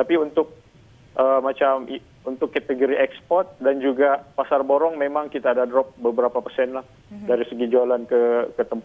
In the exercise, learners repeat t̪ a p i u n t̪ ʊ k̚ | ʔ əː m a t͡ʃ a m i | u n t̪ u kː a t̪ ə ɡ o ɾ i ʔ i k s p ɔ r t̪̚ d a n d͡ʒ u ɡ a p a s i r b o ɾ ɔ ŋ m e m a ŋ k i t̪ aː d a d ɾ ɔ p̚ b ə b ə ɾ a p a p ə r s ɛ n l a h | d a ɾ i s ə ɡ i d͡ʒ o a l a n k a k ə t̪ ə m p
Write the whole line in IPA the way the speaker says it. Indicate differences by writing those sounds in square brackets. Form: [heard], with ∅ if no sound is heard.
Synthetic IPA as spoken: t̪ a p i u n t̪ ʊ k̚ | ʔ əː m a t͡ʃ a m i | u n t̪ [ʊ] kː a t̪ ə ɡ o ɾ i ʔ [ɛ] k s p ɔ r t̪̚ d a n d͡ʒ u ɡ a p a s [a] r b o ɾ ɔ ŋ m e m a ŋ k i t̪ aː d a d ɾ ɔ p̚ b ə b ə ɾ a p a p ə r s ɛ n l a h | d a ɾ i s ə ɡ i d͡ʒ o a l a n k [ə] k ə t̪ ə m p